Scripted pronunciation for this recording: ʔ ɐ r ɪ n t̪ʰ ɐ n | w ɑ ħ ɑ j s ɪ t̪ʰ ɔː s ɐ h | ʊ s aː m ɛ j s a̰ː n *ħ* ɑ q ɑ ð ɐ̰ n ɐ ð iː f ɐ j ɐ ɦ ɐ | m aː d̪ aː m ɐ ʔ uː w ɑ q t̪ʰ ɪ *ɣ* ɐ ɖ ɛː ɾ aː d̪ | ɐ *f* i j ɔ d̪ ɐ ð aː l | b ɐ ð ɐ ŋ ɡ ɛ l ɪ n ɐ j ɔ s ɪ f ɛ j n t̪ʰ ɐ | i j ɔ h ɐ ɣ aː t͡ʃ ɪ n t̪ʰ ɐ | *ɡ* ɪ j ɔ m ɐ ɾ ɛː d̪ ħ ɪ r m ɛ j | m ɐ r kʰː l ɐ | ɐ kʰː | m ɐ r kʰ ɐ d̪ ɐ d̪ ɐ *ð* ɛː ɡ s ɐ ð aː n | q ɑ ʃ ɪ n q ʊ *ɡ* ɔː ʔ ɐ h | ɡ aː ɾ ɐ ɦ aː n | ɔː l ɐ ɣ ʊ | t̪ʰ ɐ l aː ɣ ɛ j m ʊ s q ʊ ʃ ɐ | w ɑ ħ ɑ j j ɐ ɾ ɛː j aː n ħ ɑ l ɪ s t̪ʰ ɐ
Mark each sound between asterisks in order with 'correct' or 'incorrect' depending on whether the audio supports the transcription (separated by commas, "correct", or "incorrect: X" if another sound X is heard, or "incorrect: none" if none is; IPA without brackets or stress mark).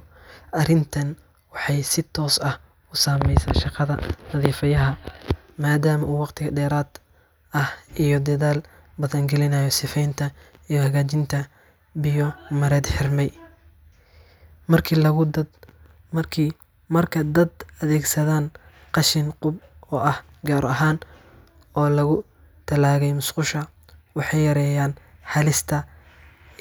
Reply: incorrect: ʃ, correct, incorrect: h, incorrect: b, correct, incorrect: b